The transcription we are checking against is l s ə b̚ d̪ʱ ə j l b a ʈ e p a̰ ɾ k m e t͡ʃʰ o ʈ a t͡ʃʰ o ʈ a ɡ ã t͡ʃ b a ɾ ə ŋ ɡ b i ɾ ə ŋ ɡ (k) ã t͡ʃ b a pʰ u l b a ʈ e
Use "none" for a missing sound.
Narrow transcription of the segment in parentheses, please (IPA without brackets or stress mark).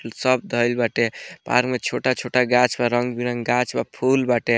ɡ